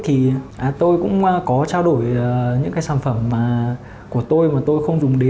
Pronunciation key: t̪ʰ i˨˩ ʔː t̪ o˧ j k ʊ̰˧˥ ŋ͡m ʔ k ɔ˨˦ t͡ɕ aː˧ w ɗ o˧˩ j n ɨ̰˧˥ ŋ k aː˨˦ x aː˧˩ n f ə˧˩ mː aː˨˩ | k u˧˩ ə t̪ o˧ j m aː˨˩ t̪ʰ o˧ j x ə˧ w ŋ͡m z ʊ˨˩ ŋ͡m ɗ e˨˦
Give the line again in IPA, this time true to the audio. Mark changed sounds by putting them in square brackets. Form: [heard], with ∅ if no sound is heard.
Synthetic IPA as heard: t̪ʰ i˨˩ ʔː t̪ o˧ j k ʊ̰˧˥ ŋ͡m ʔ k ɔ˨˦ t͡ɕ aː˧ w ɗ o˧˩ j [ɲ] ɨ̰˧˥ ŋ k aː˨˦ [s] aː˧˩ n f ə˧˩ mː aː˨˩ | k u˧˩ ə t̪ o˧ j m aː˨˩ [t̪] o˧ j x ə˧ w ŋ͡m z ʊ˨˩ ŋ͡m ɗ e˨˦